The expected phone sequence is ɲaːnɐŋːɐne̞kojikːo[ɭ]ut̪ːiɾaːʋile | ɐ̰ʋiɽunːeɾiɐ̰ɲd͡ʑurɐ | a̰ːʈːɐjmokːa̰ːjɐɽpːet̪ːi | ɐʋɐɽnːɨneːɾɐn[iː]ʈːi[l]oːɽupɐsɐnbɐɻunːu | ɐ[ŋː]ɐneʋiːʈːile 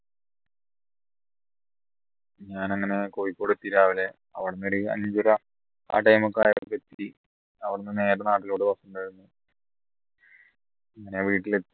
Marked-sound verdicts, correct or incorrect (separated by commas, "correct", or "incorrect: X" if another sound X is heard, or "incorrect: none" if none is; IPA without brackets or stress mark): incorrect: ɽ, incorrect: aː, correct, correct